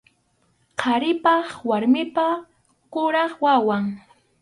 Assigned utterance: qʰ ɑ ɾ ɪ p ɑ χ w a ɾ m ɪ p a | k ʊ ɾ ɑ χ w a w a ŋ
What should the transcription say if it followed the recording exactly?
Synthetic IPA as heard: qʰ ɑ ɾ ɪ p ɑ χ w a ɾ m ɪ p a | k ʊ ɾ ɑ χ w a w a ŋ